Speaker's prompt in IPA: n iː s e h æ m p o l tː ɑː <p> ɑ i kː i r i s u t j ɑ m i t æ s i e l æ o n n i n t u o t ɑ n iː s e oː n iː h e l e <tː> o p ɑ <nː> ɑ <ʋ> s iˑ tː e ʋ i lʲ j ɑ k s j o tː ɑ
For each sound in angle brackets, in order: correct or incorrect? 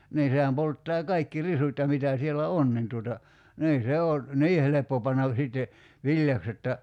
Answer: incorrect: k, incorrect: pː, correct, correct

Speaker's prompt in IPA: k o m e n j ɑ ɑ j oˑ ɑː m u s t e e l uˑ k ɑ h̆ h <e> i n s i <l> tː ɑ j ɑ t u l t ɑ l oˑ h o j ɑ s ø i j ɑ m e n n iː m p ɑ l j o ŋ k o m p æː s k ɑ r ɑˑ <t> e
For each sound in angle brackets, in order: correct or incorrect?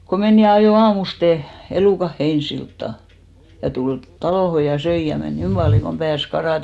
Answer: correct, correct, correct

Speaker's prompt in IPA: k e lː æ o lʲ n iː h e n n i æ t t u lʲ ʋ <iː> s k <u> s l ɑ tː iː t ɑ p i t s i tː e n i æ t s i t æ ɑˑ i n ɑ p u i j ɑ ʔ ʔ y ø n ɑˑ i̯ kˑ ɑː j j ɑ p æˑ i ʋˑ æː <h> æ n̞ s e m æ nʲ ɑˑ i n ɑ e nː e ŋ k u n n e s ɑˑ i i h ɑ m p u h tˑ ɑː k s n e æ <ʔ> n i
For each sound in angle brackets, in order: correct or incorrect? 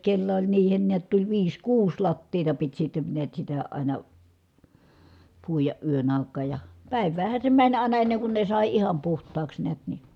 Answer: correct, incorrect: uː, correct, incorrect: t

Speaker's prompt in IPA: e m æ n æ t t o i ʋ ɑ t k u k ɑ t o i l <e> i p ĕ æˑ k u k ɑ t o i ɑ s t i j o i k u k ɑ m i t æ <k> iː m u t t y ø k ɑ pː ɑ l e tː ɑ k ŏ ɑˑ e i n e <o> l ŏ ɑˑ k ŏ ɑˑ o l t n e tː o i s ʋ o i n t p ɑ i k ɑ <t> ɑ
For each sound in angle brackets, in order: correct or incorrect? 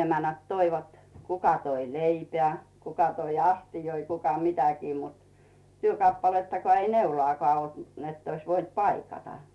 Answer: correct, correct, incorrect: u, correct

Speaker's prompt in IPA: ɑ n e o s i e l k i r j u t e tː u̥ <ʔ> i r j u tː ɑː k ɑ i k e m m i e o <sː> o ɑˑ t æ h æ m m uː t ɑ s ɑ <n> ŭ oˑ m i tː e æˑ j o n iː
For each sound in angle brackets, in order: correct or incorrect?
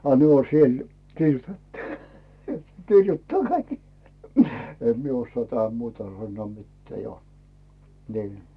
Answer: incorrect: k, correct, incorrect: nː

